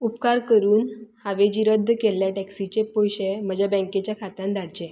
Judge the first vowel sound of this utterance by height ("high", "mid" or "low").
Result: high